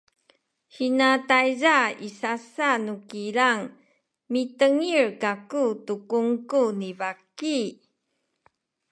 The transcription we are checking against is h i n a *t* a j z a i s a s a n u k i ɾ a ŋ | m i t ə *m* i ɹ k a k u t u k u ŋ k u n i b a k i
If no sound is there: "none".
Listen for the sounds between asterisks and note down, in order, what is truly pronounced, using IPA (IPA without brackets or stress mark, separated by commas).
t, ŋ